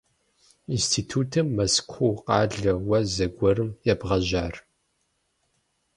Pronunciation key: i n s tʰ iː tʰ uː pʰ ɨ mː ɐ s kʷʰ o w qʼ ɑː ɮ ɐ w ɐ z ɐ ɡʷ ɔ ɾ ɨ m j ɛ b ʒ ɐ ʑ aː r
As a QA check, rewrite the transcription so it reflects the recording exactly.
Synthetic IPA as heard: i n s tʰ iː tʰ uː tʰ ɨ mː ɐ s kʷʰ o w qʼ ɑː ɮ ɐ w ɐ z ɐ ɡʷ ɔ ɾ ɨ m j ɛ b ʁ ɐ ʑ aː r